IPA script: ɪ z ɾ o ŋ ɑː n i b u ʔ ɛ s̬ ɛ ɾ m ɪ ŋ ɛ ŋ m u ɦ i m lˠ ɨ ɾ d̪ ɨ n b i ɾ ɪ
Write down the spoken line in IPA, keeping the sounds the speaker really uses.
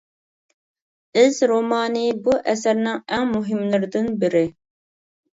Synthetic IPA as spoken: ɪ z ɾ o m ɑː n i b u ʔ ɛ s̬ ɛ ɾ n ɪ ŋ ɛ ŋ m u ɦ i m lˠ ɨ ɾ d̪ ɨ n b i ɾ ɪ

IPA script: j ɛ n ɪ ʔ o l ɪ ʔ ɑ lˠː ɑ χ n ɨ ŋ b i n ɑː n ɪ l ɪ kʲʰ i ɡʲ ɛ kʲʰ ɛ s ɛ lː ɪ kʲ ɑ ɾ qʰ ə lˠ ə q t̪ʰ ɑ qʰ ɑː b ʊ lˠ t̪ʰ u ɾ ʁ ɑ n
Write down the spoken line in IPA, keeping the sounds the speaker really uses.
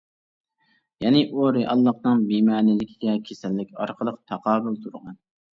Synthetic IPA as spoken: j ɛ n ɪ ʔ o ɾ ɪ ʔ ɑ lˠː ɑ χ n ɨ ŋ b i m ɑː n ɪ l ɪ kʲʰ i ɡʲ ɛ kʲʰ e s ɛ lː ɪ kʲ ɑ ɾ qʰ ə lˠ ə q t̪ʰ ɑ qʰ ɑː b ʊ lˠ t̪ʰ u ɾ ʁ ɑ n

